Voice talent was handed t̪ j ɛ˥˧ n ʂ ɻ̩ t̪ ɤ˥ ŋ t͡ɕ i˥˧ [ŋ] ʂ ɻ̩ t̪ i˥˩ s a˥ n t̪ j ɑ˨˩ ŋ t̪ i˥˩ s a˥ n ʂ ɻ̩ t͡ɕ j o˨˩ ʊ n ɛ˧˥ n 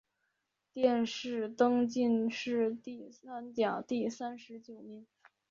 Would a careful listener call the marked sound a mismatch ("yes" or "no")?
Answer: yes